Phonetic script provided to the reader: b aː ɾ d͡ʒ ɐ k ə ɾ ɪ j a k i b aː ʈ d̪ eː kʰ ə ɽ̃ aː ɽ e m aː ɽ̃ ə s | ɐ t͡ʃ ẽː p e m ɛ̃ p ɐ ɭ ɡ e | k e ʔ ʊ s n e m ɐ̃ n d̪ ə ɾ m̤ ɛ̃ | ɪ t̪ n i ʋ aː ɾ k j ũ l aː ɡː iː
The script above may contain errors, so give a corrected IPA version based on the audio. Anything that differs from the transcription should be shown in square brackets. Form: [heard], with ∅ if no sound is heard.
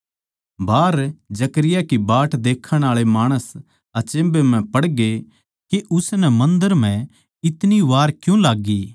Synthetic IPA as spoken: b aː ɾ d͡ʒ ɐ k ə ɾ ɪ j a k i b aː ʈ d̪ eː kʰ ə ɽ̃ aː [ɭ] e m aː ɽ̃ ə s | ɐ t͡ʃ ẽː [b] e m ɛ̃ p ɐ [ɽ] ɡ e | k e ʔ ʊ s n [ɛ] m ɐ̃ n d̪ ə ɾ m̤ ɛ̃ | ɪ t̪ n i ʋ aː ɾ k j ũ l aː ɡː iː